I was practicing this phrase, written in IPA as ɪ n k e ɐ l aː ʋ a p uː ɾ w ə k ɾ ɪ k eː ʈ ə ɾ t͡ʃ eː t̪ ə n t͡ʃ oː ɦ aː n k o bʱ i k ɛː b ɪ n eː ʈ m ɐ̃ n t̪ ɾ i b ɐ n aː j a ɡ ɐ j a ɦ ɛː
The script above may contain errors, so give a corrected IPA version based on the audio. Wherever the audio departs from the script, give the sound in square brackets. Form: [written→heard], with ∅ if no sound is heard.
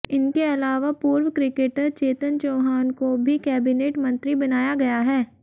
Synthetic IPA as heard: ɪ n k e ɐ l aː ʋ a p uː ɾ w ə k ɾ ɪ k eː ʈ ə ɾ t͡ʃ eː t̪ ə n t͡ʃ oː ɦ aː n k o bʱ i k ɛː b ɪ n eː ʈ m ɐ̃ n t̪ ɾ i b ɐ n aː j a ɡ ɐ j a ɦ ɛː